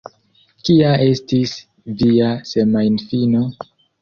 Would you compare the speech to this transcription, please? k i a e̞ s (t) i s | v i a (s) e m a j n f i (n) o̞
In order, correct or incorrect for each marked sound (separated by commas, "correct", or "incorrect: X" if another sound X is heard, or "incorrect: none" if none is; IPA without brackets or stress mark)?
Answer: correct, correct, correct